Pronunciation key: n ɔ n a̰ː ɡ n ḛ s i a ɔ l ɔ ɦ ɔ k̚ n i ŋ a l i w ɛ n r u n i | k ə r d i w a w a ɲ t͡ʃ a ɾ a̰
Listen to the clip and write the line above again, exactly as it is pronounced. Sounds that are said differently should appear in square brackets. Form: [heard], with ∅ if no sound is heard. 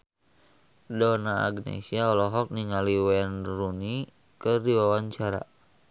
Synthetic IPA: [d] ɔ n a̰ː ɡ n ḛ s i a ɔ l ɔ ɦ ɔ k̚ n i ŋ a l i w ɛ n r u n i | k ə r d i w a w a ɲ t͡ʃ a ɾ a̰